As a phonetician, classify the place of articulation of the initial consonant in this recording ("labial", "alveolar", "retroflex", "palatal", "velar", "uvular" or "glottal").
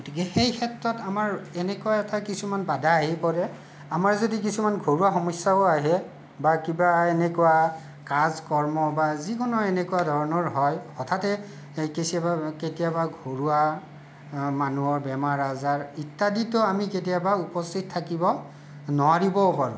velar